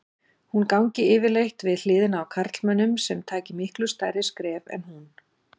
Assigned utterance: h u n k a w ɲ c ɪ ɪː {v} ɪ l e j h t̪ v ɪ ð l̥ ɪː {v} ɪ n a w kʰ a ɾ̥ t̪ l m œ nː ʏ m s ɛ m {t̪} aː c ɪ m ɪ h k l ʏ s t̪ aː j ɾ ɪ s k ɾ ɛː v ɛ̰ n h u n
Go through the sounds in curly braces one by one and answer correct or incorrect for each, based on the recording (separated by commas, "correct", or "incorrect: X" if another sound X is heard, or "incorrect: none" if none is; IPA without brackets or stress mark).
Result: correct, incorrect: ð, incorrect: t̪ʰ